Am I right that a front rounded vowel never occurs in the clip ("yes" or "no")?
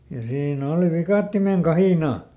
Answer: yes